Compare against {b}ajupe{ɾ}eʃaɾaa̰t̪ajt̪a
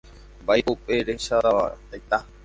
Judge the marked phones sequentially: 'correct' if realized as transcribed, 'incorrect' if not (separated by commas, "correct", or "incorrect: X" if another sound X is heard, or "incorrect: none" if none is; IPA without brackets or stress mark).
correct, correct